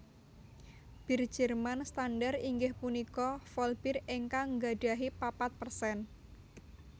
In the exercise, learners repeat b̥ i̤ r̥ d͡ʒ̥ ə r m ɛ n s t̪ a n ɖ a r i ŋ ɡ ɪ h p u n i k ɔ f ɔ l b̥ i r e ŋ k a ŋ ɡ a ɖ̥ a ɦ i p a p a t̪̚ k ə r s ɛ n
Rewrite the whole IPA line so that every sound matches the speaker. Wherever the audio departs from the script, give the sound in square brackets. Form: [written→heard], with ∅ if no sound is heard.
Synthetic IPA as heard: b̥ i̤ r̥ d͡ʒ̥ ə r m [ɛ→a] n s t̪ a n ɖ a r i ŋ ɡ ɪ h p u n i k ɔ f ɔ l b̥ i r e ŋ k a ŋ ɡ a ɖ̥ a ɦ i p a p a t̪̚ [k→p] ə r s ɛ n